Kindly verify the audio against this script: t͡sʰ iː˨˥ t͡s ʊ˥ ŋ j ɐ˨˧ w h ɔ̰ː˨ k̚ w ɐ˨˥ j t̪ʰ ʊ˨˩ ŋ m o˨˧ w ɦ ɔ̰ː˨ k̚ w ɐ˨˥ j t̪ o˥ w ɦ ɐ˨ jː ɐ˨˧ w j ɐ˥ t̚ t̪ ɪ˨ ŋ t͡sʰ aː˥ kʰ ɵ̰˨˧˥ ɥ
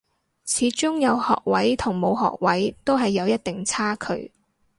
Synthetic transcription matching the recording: t͡sʰ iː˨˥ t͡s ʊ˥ ŋ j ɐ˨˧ w h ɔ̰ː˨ k̚ w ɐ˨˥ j t̪ʰ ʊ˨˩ ŋ m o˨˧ w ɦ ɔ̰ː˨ k̚ w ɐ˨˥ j t̪ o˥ w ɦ ɐ˨ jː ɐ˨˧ w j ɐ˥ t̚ t̪ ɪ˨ ŋ t͡sʰ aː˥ kʰ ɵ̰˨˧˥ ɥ